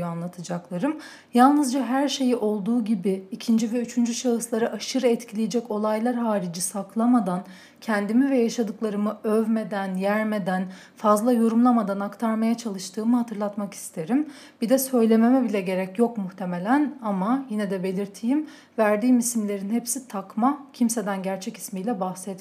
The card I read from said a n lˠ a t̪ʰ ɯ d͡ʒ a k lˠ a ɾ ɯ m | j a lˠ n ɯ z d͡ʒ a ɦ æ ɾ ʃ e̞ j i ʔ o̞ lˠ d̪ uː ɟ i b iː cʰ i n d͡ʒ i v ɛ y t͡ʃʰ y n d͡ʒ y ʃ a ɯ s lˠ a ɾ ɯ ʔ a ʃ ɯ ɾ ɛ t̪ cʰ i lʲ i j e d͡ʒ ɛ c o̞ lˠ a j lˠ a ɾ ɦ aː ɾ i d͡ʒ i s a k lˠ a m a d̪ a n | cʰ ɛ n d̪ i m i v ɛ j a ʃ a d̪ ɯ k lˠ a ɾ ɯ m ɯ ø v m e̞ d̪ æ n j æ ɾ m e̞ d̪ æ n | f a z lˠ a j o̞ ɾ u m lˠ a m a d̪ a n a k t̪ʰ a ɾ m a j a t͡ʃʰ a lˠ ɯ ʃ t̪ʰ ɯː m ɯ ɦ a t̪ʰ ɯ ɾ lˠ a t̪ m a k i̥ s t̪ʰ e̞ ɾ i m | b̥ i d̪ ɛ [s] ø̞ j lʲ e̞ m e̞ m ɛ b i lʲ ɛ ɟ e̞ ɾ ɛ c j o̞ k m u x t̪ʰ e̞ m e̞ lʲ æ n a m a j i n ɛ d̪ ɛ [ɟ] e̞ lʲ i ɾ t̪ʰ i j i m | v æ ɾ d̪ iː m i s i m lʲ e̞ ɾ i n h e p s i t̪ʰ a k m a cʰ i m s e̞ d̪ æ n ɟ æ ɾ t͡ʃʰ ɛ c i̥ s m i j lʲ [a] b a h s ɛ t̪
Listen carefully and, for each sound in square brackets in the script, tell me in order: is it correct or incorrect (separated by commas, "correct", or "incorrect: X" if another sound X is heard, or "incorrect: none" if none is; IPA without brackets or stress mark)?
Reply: correct, incorrect: b, incorrect: ɛ